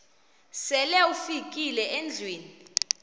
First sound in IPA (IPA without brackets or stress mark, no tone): s